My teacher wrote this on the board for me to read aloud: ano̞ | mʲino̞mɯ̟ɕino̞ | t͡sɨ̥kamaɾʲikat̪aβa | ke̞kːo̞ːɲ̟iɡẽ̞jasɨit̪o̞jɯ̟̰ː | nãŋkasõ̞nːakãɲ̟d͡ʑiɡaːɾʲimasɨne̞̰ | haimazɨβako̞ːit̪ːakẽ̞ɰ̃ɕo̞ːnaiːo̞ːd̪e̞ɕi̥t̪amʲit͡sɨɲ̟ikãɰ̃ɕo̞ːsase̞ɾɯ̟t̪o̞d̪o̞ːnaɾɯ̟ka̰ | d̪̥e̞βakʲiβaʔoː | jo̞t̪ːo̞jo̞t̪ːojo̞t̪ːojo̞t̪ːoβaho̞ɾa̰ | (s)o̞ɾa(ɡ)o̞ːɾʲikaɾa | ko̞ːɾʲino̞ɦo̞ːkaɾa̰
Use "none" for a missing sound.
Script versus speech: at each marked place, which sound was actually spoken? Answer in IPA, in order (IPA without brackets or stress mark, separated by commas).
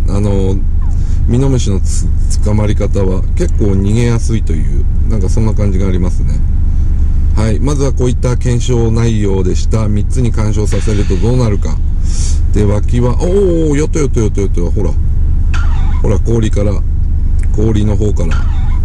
h, k